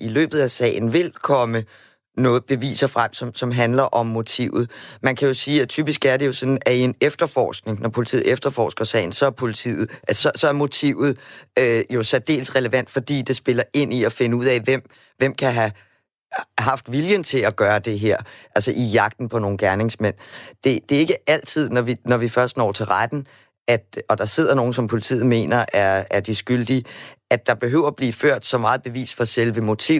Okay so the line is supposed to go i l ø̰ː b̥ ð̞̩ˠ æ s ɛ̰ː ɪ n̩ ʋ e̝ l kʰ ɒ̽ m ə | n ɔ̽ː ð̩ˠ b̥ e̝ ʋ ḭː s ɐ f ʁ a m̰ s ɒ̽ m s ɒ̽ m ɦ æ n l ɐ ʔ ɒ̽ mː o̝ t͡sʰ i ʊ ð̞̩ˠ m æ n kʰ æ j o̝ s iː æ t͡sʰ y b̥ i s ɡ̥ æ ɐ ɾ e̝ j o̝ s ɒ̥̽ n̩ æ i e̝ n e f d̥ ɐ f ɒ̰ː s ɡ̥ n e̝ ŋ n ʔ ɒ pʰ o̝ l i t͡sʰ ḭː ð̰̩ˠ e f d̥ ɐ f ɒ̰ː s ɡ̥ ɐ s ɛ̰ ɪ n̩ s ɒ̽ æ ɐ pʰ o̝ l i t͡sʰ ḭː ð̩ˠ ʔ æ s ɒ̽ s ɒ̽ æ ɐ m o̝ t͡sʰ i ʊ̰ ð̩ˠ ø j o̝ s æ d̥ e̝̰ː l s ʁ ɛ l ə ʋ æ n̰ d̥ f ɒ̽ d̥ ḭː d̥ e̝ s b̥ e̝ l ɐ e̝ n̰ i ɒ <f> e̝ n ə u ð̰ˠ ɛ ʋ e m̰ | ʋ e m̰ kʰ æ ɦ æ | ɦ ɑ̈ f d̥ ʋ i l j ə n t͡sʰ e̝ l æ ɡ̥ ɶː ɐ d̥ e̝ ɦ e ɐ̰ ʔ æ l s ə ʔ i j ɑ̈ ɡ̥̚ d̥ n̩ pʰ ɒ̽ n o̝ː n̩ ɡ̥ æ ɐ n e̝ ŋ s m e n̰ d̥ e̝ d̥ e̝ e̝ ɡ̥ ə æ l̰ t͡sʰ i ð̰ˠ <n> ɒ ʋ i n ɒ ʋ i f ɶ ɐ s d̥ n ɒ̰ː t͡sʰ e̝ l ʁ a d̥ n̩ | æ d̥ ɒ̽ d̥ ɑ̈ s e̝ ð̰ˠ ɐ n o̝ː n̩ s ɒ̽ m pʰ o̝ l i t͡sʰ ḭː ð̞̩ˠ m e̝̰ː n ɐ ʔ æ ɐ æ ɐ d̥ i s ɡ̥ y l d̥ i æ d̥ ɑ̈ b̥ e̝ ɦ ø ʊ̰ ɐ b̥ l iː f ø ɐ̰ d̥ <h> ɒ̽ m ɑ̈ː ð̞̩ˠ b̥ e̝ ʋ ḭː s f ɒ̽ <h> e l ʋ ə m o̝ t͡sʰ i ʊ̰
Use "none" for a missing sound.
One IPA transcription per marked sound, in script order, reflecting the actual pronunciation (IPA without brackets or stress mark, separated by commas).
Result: f, n, s, s